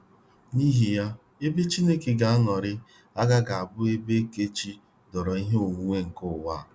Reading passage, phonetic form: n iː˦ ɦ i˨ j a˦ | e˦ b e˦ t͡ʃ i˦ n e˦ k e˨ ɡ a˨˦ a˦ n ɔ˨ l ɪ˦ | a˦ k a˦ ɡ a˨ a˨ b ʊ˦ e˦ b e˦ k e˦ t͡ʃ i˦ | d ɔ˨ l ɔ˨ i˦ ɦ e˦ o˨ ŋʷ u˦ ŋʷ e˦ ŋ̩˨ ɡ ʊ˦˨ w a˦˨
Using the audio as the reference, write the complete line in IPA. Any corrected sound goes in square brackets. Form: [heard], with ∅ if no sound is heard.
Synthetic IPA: n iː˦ ɦ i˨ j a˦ | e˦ b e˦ t͡ʃ i˦ n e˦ k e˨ ɡ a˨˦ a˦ n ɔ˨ [ɾ] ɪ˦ | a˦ [ɡ] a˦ ɡ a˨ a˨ b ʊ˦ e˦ b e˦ k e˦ t͡ʃ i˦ | d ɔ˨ [ɾ] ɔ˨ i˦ ɦ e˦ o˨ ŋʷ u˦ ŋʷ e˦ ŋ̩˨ [k] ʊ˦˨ w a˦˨